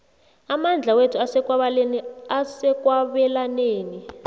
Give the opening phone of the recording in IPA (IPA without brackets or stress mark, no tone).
a